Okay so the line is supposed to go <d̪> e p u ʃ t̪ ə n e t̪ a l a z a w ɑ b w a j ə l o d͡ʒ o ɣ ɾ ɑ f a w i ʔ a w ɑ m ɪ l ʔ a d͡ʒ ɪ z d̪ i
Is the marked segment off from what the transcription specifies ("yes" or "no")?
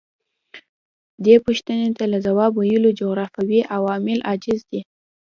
no